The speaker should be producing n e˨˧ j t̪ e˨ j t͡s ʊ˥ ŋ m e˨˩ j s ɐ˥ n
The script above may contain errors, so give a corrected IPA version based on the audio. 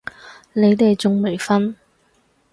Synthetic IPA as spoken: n e˨˧ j t̪ e˨ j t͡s ʊ˨ ŋ m e˨˩ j f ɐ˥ n